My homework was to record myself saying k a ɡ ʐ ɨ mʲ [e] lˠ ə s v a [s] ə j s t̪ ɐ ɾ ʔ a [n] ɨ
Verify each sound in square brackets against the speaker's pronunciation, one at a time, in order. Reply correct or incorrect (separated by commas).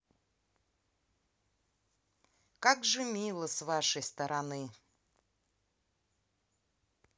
incorrect, incorrect, correct